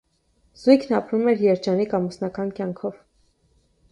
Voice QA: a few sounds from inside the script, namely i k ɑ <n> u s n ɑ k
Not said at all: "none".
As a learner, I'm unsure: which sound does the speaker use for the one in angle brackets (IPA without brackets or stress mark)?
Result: m